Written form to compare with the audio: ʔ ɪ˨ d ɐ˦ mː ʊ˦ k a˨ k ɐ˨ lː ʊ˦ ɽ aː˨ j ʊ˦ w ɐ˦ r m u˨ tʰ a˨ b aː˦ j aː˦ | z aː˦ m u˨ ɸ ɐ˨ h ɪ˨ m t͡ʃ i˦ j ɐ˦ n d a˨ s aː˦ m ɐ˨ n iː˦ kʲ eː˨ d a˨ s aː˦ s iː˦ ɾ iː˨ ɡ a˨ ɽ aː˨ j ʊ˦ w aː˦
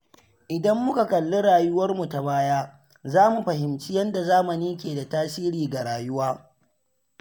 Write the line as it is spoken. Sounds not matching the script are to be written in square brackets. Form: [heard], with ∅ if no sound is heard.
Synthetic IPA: ʔ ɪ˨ d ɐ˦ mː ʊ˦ k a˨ k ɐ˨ lː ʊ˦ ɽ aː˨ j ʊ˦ w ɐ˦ r m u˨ [t] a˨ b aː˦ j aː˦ | z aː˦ m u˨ ɸ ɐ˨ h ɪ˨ m t͡ʃ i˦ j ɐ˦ n d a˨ [z] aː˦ m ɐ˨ n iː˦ kʲ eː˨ d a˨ [t] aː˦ s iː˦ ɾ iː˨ ɡ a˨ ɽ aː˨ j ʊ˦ w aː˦